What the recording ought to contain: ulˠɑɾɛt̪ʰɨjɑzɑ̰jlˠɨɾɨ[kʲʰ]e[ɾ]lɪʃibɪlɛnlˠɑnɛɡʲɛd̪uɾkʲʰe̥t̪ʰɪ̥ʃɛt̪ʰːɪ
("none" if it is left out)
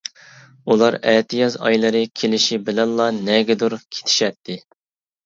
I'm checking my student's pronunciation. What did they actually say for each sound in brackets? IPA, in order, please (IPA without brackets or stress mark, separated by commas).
kʲʰ, none